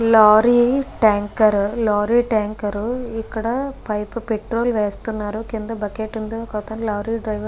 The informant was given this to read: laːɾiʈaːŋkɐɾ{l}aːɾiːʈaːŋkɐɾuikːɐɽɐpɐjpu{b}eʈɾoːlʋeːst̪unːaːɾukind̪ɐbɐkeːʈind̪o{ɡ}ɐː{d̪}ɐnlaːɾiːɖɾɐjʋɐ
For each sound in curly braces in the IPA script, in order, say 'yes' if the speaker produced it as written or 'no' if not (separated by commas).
yes, no, no, no